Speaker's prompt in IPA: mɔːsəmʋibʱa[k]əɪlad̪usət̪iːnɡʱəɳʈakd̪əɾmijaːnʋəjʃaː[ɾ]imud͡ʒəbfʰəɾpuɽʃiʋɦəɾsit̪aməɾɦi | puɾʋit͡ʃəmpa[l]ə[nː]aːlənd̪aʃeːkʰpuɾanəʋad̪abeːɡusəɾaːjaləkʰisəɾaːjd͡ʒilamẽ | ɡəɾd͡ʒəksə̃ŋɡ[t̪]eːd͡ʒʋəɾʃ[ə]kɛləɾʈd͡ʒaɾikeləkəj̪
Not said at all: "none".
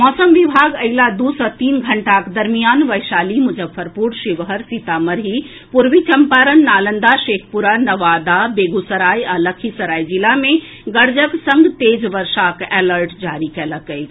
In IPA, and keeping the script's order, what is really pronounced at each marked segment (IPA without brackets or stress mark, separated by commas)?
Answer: ɡ, l, ɾ, nː, t̪, a